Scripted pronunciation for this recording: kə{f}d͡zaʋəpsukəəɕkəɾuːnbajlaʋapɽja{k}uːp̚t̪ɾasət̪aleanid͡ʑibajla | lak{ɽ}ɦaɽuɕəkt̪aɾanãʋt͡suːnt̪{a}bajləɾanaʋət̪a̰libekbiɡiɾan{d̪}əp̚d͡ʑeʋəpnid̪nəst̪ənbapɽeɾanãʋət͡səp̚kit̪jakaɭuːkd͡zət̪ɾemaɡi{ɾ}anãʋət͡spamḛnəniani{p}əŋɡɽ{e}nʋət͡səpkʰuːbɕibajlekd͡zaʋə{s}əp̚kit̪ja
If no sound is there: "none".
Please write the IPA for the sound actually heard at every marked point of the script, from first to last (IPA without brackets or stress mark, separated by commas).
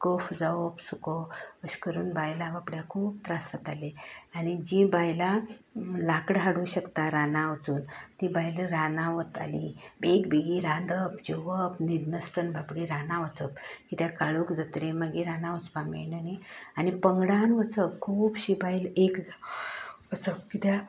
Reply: f, kʰ, ɽ, i, d̪, ɾ, p, a, t͡s